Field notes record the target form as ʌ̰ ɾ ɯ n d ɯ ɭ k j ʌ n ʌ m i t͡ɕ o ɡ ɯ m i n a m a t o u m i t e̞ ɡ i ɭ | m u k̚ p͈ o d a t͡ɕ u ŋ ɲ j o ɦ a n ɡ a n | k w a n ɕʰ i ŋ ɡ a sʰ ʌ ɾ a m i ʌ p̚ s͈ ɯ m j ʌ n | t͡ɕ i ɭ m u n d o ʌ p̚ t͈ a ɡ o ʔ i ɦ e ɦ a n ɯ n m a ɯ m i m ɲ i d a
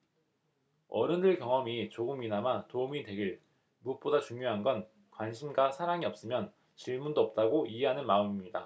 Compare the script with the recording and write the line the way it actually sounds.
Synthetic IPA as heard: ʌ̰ ɾ ɯ n d ɯ ɭ k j ʌ ŋ ʌ m i t͡ɕ o ɡ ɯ m i n a m a t o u m i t e̞ ɡ i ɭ | m u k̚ p͈ o d a t͡ɕ u ŋ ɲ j o ɦ a n ɡ ʌ n | k w a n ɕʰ i m ɡ a sʰ a ɾ a ŋ i ʌ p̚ s͈ ɯ m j ʌ n | t͡ɕ i ɭ m u n d o ʌ p̚ t͈ a ɡ o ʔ i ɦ e ɦ a n ɯ n m a ɯ m i m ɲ i d a